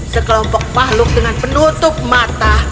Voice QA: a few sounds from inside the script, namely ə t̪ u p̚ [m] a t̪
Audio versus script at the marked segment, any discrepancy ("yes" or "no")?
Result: no